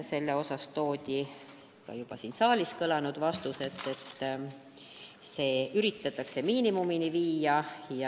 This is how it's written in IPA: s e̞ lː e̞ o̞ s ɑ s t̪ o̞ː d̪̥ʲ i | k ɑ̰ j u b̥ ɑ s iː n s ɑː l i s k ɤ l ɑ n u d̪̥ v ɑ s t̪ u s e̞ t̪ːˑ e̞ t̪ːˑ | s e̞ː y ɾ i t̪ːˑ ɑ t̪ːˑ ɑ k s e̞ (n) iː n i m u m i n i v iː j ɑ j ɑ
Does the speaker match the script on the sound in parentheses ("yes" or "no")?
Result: no